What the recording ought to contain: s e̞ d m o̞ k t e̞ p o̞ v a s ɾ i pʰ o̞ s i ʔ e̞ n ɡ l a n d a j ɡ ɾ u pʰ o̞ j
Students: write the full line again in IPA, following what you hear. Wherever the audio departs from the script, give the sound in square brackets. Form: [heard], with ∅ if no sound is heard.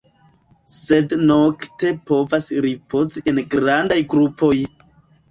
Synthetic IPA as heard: s e̞ d [n] o̞ k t e̞ p o̞ v a s ɾ i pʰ o̞ [z] i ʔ e̞ n ɡ [ɾ] a n d a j ɡ ɾ u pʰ o̞ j